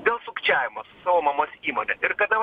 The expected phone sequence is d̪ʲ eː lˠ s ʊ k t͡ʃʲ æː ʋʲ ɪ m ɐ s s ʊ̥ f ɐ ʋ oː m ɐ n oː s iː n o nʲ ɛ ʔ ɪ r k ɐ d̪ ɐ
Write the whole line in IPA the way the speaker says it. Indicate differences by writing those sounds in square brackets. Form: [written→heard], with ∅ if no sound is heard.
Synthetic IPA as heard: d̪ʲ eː lˠ s ʊ k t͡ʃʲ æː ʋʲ ɪ m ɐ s s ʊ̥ [f→s] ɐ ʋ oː m ɐ [n→m] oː s iː [n→m] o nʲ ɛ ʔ ɪ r k ɐ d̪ ɐ